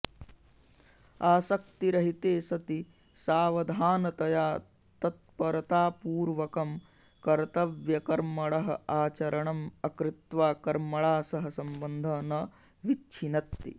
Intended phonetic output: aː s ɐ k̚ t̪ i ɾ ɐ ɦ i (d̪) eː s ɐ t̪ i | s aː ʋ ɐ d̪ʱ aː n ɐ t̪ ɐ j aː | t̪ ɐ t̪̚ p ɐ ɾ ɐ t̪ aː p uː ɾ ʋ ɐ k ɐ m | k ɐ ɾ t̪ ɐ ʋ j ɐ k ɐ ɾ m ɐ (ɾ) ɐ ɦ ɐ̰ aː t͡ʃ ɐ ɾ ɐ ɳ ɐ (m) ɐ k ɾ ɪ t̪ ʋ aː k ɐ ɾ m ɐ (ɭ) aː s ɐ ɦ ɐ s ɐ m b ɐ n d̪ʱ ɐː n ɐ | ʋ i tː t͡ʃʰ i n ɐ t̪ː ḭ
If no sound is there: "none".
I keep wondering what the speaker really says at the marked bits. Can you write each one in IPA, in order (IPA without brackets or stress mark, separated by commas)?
t̪, ɭ, m, ɭ